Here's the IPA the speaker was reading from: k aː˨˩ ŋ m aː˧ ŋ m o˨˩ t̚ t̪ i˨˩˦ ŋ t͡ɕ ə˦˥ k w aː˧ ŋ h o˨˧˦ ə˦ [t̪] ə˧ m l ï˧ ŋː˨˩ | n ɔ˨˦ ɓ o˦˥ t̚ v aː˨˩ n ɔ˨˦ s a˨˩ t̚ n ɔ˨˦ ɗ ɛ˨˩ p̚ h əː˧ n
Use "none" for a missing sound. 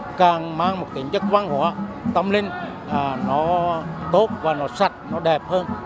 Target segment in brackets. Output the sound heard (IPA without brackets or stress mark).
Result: t̪